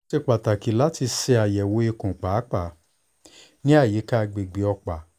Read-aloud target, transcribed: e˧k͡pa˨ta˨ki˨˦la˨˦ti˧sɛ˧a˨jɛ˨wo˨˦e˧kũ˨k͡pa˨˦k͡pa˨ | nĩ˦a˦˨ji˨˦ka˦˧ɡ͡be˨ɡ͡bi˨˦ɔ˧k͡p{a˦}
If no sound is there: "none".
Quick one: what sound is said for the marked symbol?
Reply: a˨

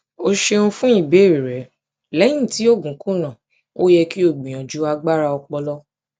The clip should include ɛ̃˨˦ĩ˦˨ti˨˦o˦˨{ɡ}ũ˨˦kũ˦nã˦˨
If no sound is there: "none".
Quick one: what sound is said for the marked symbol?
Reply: ɡ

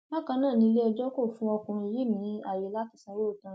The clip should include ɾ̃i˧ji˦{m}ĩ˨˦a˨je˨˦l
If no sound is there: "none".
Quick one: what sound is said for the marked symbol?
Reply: m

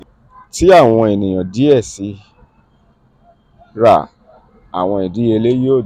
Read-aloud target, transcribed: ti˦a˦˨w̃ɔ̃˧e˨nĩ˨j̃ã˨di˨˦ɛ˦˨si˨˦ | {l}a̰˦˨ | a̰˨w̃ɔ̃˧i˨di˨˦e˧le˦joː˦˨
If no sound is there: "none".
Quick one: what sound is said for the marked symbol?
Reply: ɾ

